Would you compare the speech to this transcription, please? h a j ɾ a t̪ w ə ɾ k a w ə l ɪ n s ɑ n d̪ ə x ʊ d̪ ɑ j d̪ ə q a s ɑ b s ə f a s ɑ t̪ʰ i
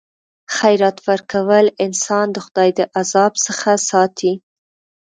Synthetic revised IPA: x a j ɾ a t̪ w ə ɾ k a w ə l ɪ n s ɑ n d̪ ə x ʊ d̪ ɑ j d̪ ə ʔ a z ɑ b s ə x a s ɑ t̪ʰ i